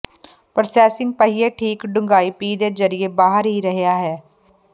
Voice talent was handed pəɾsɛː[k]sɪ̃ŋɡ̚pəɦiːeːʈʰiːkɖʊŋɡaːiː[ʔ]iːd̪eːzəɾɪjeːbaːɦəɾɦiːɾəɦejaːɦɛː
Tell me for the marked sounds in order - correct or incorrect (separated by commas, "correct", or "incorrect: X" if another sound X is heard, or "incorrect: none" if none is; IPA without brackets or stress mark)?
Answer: incorrect: none, incorrect: p